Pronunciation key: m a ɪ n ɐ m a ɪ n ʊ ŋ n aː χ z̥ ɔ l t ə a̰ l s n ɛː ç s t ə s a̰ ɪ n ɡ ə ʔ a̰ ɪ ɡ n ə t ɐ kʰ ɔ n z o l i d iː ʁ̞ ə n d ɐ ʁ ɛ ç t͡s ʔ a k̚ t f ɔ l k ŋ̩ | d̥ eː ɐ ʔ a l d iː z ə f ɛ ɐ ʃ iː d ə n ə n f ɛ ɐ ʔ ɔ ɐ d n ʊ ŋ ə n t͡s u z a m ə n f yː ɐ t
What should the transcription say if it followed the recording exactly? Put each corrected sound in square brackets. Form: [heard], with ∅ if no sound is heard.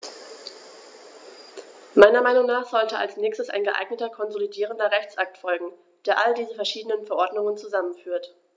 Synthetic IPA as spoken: m a ɪ n ɐ m a ɪ n ʊ ŋ n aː χ z̥ ɔ l t ə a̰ l s n ɛː ç s t ə s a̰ ɪ n ɡ ə ʔ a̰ ɪ ɡ n ə t ɐ kʰ ɔ n z o l i d iː ʁ̞ ə n d ɐ ʁ ɛ ç t͡s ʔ a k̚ t f ɔ l [ɡ] ŋ̩ | d̥ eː ɐ ʔ a l d iː z ə f ɛ ɐ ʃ iː d ə n ə n f ɛ ɐ ʔ ɔ ɐ d n ʊ ŋ ə n t͡s u z a m ə n f yː ɐ t